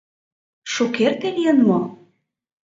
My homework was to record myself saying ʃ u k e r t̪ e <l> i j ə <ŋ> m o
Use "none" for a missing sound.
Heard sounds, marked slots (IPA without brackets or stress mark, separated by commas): l, n